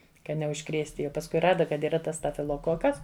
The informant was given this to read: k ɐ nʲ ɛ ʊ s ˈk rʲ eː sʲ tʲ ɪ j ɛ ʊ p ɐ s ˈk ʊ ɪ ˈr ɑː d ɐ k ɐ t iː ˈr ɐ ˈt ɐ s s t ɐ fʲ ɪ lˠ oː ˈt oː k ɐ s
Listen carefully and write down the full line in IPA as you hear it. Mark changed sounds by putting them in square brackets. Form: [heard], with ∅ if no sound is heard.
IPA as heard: k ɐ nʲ ɛ ʊ [ʃ] ˈk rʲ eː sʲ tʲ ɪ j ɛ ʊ p ɐ s ˈk ʊ ɪ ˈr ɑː d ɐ k ɐ t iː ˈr ɐ ˈt ɐ s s t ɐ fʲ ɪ lˠ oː [ˈk] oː k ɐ s